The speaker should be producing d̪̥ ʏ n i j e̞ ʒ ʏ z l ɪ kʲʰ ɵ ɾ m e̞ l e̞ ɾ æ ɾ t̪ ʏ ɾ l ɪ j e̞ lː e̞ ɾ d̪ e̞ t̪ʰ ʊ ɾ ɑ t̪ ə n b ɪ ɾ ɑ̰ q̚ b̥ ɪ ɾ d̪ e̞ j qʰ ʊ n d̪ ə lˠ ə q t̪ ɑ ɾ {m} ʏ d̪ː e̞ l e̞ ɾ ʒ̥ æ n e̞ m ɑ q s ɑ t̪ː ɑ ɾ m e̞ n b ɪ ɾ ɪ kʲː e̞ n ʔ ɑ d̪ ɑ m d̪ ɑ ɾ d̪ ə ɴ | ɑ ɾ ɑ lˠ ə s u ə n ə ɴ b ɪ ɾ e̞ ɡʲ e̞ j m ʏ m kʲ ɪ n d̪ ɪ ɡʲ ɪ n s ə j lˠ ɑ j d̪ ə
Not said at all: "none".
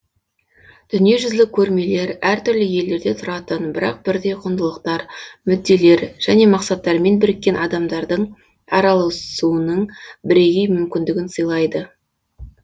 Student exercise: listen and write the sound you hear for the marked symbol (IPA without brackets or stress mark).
m